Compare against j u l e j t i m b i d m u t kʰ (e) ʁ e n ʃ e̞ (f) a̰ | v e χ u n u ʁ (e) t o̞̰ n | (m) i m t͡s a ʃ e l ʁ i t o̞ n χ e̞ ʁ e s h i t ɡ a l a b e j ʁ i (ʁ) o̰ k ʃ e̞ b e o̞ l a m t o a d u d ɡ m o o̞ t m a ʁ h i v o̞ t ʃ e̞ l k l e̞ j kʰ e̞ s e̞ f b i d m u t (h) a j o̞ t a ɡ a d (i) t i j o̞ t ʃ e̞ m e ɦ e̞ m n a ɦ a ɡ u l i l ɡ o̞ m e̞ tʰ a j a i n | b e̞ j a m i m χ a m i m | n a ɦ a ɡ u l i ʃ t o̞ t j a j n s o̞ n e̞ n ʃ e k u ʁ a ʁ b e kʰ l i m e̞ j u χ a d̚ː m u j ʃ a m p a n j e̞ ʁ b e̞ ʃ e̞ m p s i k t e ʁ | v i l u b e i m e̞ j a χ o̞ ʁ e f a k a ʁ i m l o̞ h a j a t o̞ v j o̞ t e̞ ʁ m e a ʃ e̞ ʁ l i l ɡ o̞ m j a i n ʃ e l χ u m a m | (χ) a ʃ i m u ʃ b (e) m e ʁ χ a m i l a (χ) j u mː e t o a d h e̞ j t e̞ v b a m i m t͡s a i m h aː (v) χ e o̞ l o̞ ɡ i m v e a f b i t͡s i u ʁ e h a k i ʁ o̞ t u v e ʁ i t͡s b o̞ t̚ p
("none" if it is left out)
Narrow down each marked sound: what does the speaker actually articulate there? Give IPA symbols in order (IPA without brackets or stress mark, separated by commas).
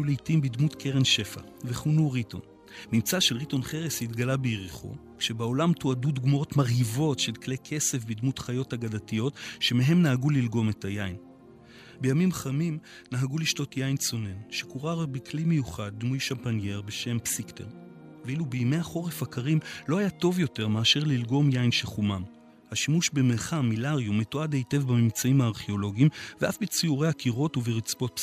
e, f, i, m, χ, χ, a, h, e, ʁ, ʁ